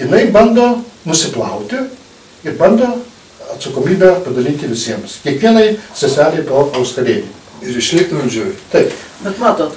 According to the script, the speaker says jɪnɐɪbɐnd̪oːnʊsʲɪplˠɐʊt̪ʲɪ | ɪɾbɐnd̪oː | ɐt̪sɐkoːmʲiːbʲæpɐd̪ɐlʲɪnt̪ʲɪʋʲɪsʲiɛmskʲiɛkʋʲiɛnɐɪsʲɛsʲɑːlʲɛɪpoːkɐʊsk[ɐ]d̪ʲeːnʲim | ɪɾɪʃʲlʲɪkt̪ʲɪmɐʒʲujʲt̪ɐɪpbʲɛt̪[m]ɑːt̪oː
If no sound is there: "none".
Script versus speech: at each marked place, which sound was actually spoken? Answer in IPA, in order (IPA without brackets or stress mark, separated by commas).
ɐ, m